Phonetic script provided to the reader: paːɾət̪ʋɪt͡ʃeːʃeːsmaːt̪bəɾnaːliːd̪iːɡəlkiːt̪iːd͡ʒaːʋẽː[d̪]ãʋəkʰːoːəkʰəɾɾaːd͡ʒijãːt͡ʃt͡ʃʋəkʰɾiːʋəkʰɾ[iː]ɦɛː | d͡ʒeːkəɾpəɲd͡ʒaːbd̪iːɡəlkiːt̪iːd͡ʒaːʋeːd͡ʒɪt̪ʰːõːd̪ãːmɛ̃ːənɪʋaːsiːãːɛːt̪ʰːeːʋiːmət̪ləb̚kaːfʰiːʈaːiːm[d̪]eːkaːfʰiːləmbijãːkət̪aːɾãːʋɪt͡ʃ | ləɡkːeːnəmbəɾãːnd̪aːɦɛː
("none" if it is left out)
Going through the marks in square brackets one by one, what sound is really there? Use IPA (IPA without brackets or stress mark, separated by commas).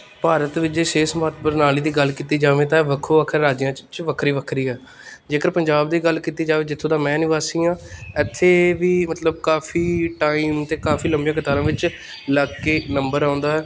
t̪, iː, t̪